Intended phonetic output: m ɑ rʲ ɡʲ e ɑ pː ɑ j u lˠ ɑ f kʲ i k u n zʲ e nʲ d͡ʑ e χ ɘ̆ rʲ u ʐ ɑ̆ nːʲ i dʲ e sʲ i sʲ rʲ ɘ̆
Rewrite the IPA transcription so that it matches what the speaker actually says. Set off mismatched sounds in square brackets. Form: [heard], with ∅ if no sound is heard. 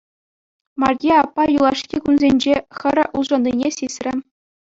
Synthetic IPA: m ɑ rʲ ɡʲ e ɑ pː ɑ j u lˠ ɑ [ʂ] kʲ i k u n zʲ e nʲ d͡ʑ e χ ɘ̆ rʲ u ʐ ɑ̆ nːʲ i [nʲ] e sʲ i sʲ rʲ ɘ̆